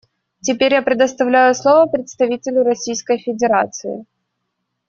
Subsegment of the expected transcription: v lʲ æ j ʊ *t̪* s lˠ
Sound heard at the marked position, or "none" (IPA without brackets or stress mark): none